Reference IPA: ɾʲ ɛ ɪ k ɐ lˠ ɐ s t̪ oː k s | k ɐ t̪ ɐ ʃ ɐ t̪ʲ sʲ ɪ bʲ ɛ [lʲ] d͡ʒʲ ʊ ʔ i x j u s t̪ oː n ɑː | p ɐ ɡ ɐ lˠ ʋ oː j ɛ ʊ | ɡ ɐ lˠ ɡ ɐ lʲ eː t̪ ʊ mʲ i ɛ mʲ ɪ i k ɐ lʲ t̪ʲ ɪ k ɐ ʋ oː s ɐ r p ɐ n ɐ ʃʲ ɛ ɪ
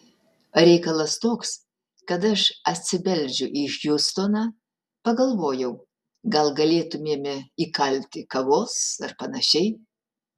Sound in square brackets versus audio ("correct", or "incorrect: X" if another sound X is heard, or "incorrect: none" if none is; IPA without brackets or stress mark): correct